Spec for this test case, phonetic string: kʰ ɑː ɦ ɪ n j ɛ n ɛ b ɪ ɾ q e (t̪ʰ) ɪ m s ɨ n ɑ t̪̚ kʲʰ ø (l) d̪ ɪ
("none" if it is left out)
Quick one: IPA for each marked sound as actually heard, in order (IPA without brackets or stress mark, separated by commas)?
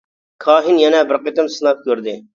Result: t̪, ɾ